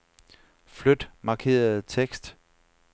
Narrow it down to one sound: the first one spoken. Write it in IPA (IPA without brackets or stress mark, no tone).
f